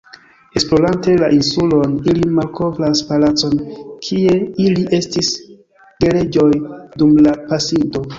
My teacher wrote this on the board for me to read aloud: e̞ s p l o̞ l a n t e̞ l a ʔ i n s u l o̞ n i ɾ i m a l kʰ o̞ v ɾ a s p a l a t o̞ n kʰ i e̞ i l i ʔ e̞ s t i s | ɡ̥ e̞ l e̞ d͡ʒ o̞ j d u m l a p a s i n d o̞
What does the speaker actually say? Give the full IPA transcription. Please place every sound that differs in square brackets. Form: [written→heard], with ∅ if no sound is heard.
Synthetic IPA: e̞ s p l o̞ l a n t e̞ l a ʔ i n s u l o̞ n i [ɾ→l] i m a l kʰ o̞ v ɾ a s p a l a [t→t͡s] o̞ n kʰ i e̞ i l i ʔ e̞ s t i s | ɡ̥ e̞ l e̞ d͡ʒ o̞ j d u m l a p a s i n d o̞